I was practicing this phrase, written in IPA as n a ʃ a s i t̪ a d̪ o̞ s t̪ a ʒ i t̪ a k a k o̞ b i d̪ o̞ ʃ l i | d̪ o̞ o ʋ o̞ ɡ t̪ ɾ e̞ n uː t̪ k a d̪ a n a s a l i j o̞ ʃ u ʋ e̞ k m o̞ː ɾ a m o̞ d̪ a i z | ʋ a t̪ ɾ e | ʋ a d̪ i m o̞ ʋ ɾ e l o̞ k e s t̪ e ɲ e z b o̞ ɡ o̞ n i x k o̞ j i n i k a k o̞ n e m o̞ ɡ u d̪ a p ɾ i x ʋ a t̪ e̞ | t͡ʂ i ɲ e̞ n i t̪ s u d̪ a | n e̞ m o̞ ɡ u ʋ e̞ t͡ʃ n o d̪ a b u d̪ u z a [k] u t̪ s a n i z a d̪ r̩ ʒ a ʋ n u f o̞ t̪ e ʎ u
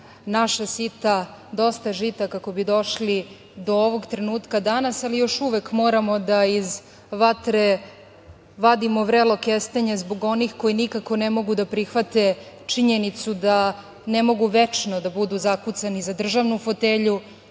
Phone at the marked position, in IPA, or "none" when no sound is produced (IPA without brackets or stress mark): k